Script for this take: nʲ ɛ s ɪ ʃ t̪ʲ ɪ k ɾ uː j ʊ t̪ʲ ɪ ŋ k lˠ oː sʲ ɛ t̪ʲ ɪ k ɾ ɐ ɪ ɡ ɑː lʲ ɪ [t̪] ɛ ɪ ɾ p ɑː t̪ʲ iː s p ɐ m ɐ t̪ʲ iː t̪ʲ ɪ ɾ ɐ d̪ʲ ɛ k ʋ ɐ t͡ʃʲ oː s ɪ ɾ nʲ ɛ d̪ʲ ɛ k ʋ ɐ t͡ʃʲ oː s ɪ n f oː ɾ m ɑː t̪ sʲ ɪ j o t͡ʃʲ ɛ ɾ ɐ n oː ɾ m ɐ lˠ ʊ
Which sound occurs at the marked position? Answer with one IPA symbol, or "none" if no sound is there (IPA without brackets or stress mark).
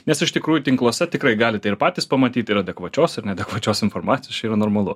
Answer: t̪